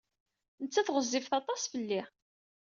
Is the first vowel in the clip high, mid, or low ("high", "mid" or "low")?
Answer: mid